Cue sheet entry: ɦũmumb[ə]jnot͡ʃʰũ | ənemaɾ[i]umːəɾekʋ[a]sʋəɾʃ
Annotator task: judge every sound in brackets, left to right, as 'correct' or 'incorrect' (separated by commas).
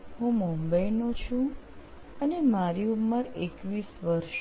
correct, correct, incorrect